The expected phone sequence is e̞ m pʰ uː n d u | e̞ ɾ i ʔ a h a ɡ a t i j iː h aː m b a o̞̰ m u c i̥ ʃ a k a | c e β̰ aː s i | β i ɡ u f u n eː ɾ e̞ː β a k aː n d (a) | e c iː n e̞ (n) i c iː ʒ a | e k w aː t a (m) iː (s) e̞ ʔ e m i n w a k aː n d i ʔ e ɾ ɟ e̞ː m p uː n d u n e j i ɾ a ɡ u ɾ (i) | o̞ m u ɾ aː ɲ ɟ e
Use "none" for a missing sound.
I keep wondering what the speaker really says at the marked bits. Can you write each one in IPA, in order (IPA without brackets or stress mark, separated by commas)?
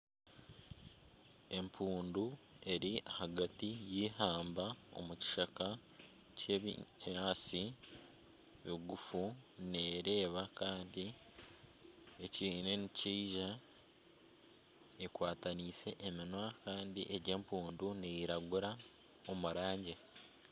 i, n, n, s, a